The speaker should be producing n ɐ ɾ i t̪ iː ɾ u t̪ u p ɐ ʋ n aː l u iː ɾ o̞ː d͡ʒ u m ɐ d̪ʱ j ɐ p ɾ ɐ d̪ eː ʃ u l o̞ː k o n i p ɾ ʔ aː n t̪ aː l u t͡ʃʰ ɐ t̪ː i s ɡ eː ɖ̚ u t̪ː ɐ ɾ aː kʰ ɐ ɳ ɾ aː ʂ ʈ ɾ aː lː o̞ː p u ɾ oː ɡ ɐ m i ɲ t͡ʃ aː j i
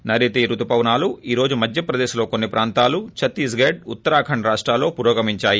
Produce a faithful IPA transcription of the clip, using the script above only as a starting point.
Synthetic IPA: n ɐ ɾ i t̪ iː ɾ u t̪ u p ɐ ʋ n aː l u iː ɾ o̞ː d͡ʒ u m ɐ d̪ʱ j ɐ p ɾ ɐ d̪ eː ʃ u l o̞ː k o nː i p ɾ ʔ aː n t̪ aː l u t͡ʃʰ ɐ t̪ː i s ɡ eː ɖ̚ u t̪ː ɐ ɾ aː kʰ ɐ ɳ ɾ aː ʂ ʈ ɾ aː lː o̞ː p u ɾ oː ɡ ɐ m i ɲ t͡ʃ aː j i